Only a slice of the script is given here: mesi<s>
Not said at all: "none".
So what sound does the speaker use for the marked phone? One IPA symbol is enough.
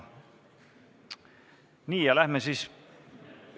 s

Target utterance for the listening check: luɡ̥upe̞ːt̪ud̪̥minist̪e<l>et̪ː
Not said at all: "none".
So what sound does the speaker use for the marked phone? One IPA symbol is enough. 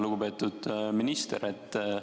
ɾ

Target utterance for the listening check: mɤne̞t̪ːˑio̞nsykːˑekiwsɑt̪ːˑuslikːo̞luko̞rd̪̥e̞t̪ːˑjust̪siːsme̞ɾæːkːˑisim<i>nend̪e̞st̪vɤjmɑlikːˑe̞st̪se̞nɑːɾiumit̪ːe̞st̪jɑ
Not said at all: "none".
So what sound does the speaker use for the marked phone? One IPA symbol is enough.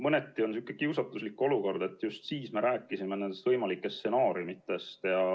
e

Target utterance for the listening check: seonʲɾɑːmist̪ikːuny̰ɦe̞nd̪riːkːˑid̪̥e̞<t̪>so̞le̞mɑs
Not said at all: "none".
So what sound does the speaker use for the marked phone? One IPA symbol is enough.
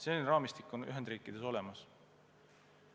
none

